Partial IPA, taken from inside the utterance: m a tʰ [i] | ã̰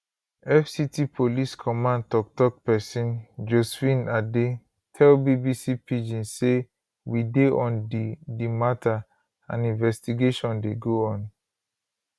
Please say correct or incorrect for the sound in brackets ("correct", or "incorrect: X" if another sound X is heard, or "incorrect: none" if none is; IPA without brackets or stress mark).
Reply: incorrect: a